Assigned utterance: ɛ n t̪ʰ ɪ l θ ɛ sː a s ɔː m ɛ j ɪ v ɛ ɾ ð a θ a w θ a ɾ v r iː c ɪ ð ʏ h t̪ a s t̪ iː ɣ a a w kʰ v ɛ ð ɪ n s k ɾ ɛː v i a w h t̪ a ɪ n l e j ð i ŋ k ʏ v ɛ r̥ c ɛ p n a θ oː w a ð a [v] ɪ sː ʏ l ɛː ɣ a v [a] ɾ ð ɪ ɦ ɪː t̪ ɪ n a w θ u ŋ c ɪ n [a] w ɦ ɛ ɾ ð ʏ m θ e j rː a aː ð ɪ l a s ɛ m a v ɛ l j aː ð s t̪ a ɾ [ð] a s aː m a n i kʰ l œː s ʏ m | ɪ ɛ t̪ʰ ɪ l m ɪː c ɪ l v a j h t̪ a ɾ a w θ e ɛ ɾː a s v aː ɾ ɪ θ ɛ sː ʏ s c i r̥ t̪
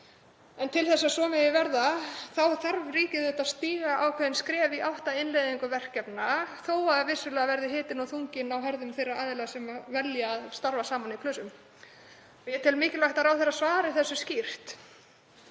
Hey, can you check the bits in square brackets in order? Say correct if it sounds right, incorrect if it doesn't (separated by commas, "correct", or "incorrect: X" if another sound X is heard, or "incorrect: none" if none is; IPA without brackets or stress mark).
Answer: correct, incorrect: ɛ, correct, incorrect: v